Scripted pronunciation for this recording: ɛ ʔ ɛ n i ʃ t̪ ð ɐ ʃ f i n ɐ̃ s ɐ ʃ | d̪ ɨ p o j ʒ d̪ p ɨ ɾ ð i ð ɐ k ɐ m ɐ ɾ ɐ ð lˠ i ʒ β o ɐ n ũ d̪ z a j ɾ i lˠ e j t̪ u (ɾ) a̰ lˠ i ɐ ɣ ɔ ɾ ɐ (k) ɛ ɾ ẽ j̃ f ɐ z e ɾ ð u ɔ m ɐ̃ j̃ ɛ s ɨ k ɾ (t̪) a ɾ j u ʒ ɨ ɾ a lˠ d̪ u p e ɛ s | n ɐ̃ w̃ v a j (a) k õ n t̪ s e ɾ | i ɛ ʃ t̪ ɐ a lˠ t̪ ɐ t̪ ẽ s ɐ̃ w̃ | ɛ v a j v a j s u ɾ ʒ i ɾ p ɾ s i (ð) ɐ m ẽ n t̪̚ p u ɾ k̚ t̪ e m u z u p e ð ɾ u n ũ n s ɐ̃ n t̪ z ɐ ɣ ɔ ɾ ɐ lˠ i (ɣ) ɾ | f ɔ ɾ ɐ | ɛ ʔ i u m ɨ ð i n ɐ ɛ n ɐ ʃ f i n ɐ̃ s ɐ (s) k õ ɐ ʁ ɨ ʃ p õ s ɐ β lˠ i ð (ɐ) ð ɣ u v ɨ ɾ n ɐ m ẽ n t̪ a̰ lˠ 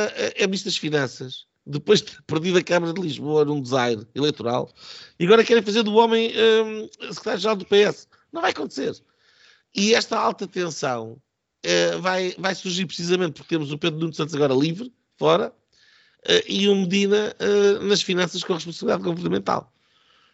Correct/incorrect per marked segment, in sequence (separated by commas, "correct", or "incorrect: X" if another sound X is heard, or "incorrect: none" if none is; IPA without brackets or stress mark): correct, correct, correct, incorrect: ɐ, incorrect: z, incorrect: v, incorrect: ʃ, incorrect: a